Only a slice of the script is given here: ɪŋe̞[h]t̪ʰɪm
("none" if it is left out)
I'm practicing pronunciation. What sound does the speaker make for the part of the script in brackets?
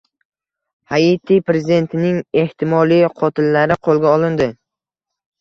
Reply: h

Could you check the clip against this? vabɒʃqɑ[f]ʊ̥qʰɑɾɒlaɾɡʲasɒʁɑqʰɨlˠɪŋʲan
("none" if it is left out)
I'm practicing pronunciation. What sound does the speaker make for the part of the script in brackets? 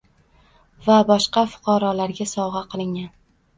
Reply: f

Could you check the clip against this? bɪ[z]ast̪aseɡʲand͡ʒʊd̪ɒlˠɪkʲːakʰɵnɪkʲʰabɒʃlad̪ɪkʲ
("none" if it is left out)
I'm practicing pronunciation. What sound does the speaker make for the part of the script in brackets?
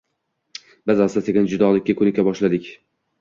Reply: z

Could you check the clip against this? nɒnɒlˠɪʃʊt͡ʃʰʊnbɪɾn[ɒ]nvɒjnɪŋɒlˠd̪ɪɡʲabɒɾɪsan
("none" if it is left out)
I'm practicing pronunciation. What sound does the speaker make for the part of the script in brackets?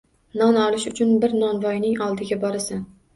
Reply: ɒ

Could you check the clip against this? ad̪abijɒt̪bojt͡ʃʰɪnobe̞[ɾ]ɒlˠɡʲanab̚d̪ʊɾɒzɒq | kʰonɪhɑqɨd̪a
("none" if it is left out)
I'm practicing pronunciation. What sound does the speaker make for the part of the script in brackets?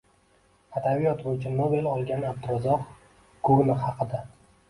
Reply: l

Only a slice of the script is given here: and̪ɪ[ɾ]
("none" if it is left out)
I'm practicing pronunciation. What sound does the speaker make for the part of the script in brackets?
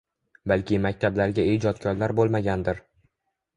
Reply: ɾ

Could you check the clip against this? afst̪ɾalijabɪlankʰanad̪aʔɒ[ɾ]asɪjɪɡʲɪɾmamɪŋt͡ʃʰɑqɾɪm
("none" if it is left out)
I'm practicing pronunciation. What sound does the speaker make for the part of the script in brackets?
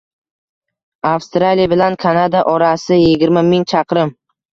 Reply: ɾ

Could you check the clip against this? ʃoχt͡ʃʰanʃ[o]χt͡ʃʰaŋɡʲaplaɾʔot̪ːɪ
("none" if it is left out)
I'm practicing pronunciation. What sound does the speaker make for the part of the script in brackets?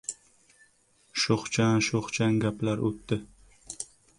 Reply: o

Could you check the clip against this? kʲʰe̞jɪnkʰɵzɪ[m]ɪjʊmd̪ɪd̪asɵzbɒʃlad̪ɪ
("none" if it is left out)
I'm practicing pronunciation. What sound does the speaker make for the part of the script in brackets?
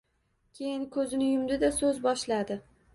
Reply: n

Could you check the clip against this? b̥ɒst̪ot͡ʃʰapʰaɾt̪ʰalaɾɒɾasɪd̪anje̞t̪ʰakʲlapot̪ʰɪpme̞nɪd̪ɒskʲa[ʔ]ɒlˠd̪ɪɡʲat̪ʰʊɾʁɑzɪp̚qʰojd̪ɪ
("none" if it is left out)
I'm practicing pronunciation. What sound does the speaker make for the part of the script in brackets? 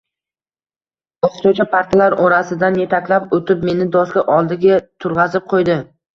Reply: ʔ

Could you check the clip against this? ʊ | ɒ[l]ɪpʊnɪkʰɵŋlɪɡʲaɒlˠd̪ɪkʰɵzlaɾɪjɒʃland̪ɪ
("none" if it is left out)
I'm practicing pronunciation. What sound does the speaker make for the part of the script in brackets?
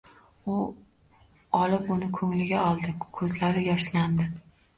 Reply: l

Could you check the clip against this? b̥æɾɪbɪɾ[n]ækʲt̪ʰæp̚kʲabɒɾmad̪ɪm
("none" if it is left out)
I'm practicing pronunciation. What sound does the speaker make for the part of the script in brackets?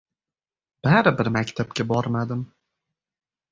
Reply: m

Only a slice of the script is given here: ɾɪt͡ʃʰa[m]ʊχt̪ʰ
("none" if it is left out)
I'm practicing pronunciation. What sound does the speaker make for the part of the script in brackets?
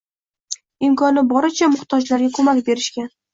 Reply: m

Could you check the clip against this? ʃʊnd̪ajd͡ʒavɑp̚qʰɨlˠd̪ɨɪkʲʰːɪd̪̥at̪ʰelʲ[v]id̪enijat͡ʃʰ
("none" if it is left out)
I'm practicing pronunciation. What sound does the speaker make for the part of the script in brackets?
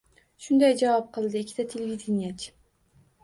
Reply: v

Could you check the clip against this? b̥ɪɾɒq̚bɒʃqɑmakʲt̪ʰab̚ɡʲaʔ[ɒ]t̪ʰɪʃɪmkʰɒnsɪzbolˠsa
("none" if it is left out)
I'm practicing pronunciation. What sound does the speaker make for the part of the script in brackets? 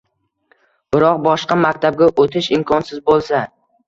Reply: o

